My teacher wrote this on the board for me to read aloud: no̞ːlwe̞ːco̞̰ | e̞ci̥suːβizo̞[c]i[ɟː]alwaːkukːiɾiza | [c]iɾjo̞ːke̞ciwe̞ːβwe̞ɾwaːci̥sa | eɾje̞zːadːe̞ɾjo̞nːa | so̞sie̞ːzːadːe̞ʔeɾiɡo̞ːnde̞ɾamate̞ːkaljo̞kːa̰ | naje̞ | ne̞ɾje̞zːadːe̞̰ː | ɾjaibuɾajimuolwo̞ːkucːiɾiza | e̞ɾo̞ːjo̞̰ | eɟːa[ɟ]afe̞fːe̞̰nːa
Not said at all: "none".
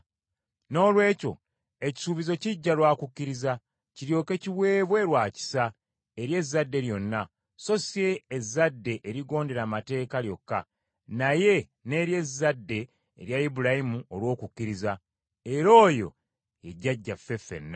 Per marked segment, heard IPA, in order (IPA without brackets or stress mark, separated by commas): c, ɟː, c, ɟː